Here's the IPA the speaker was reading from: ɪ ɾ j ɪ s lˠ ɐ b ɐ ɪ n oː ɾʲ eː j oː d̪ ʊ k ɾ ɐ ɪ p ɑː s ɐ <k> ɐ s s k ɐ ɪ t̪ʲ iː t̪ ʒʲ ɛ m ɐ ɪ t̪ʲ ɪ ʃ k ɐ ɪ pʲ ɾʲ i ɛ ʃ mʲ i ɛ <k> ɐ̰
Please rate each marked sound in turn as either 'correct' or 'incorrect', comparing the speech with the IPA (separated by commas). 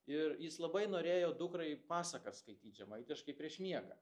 correct, incorrect